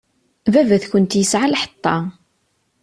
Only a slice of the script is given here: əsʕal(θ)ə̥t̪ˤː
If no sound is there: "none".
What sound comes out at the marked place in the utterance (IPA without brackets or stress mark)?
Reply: ħ